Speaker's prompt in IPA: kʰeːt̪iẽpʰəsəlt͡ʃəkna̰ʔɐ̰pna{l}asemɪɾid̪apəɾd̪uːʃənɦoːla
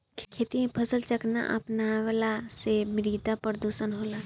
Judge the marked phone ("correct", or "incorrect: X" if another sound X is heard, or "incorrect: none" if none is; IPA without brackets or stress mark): correct